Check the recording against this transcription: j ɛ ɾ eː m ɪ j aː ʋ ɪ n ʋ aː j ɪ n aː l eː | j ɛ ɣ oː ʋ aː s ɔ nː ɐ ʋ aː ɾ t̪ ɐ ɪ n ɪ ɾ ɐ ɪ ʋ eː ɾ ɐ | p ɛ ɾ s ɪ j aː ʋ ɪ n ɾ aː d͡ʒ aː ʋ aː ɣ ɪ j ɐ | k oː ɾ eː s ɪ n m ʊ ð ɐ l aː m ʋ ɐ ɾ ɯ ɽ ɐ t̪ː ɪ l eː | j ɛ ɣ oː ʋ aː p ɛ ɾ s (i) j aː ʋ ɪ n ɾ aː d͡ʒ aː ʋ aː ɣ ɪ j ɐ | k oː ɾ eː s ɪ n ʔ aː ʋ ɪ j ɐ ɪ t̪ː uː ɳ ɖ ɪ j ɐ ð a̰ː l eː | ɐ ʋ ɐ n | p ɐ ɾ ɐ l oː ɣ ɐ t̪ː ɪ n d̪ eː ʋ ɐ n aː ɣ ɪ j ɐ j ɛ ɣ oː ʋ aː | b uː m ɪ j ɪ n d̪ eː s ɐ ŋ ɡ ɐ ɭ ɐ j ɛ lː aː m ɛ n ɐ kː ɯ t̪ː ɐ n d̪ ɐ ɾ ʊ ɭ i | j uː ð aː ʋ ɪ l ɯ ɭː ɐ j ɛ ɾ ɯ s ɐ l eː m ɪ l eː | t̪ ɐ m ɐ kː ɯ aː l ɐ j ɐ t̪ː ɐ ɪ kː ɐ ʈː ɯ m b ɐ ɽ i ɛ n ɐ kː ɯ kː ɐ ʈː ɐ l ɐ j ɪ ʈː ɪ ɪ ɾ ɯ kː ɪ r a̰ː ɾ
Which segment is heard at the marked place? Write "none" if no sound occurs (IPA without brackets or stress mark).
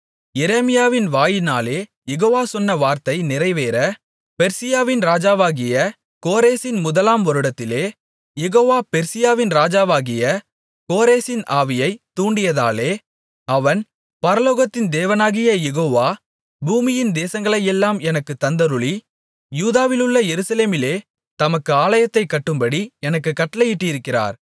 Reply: ɪ